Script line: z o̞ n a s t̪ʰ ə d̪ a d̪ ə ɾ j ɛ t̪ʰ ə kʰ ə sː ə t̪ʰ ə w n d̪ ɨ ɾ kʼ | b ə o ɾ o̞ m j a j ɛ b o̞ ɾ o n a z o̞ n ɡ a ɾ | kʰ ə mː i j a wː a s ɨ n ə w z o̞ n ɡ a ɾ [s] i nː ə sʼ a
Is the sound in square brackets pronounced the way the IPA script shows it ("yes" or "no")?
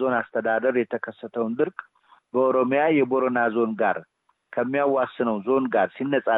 yes